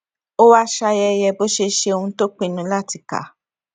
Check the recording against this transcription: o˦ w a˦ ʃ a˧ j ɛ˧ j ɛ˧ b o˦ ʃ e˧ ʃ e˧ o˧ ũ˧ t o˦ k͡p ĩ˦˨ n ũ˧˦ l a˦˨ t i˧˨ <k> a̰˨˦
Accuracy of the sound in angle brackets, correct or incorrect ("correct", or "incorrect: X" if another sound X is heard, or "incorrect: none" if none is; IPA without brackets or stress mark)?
correct